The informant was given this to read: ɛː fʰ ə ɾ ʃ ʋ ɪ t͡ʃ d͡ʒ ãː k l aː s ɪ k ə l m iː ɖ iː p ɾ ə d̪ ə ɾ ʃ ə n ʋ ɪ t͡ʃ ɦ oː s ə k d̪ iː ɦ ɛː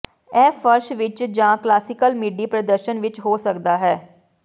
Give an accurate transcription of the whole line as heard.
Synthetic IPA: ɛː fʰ ə ɾ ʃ ʋ ɪ t͡ʃ d͡ʒ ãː k l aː s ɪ k ə l m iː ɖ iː p ɾ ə d̪ ə ɾ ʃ ə n ʋ ɪ t͡ʃ ɦ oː s ə k d̪ aː ɦ ɛː